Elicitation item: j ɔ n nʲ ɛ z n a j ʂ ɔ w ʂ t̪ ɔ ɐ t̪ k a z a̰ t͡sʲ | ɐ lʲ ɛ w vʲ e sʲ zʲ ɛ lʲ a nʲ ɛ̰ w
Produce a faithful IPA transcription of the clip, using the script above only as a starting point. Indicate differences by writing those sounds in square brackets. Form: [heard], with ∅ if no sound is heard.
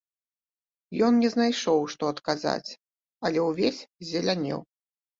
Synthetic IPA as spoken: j ɔ n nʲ ɛ z n a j ʂ ɔ w ʂ t̪ ɔ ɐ t̪ k a z a̰ t͡sʲ | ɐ lʲ ɛ w vʲ e sʲ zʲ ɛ lʲ a nʲ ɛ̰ w